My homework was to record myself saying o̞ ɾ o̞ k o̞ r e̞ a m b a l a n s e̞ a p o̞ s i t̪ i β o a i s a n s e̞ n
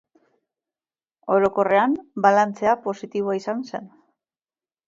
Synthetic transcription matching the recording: o̞ ɾ o̞ k o̞ r e̞ a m b a l a n t͡s e̞ a p o̞ s i t̪ i β o a i s a n s e̞ n